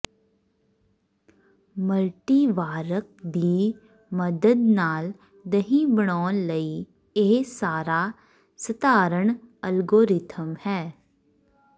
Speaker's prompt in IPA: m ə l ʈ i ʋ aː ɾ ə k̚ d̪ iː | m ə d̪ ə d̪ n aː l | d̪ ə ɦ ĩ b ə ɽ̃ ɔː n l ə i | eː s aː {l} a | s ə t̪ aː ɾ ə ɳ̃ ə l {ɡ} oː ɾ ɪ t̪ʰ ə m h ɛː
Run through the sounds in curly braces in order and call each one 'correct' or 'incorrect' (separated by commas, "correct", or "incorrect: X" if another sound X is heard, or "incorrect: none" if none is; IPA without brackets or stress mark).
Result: incorrect: ɾ, correct